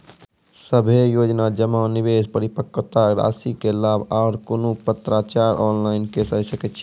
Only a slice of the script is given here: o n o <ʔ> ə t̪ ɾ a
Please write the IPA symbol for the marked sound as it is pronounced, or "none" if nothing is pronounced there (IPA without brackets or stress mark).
p